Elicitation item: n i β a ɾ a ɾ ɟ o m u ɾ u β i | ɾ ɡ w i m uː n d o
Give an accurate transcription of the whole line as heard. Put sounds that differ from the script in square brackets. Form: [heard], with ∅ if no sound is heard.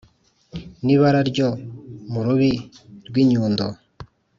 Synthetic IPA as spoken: n i β a ɾ a ɾ ɟ o m u ɾ u β i | ɾ ɡ w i [ɲ] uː n d o